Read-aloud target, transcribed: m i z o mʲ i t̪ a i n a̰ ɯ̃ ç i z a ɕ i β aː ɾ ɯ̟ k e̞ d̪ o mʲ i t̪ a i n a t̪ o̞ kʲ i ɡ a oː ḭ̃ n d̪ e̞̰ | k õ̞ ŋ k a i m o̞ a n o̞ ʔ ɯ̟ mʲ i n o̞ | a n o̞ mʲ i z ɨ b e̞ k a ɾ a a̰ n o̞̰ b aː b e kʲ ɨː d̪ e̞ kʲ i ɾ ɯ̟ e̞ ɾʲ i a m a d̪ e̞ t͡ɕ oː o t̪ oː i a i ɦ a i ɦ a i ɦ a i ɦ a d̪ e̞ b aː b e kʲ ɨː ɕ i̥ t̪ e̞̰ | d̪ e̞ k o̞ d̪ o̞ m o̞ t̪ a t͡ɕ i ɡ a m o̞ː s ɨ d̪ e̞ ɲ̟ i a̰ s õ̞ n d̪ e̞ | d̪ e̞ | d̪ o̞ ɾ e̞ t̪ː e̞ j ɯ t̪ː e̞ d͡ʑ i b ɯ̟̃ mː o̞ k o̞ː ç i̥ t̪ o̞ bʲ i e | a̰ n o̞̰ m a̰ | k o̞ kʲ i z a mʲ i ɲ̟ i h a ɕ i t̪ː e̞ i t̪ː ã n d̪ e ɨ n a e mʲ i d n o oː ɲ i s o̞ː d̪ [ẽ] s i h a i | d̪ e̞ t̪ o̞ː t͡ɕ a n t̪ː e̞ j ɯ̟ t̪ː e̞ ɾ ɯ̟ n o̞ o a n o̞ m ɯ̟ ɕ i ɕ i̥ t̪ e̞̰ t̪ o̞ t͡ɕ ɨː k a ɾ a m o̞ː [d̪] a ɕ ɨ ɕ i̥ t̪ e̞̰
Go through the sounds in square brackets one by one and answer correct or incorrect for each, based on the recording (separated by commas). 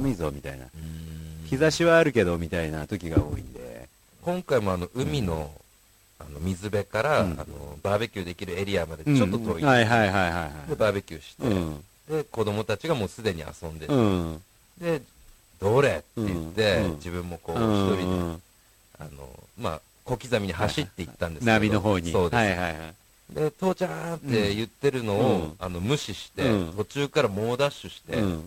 incorrect, correct